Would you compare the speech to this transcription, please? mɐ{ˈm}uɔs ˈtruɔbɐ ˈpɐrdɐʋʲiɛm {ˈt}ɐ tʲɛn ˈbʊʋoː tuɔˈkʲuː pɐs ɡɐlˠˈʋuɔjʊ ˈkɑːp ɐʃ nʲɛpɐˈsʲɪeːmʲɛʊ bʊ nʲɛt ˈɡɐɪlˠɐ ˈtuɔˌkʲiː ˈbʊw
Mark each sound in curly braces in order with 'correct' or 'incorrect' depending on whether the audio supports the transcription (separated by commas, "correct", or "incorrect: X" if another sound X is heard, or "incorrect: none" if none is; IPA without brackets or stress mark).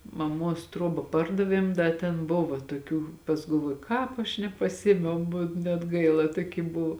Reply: correct, incorrect: d